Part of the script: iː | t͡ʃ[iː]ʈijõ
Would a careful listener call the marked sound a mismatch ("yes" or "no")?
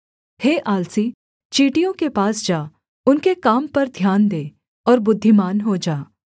no